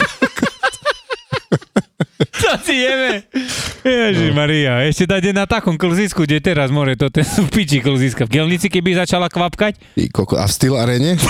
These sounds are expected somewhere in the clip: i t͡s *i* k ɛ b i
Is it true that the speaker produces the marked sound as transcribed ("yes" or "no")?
yes